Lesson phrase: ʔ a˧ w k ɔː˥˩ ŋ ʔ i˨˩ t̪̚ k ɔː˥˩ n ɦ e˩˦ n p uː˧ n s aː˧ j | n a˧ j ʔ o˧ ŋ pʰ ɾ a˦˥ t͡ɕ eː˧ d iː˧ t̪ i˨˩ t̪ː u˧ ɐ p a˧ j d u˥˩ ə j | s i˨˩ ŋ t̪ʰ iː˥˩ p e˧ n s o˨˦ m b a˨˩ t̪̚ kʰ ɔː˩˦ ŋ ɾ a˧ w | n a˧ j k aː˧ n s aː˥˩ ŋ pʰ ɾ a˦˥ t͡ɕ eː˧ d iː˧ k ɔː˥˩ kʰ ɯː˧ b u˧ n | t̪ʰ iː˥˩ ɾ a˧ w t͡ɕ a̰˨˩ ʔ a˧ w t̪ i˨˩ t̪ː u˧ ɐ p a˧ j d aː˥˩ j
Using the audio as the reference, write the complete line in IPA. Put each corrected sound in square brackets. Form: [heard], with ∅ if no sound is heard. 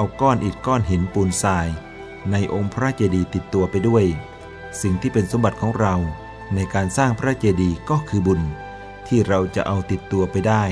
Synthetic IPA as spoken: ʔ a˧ w k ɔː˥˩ [n] ʔ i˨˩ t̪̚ k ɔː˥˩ n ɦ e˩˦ n p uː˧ n s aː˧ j | n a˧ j ʔ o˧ ŋ pʰ ɾ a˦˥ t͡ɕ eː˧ d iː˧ t̪ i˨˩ t̪ː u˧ ɐ p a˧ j d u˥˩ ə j | s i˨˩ ŋ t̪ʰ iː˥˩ p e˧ n s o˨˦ m b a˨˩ t̪̚ kʰ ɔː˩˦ ŋ ɾ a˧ w | n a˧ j k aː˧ n s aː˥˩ ŋ pʰ ɾ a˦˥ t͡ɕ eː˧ d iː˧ k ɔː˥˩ kʰ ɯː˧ b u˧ n | t̪ʰ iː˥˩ ɾ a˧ w t͡ɕ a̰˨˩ ʔ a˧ w t̪ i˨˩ t̪ː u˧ ɐ p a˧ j d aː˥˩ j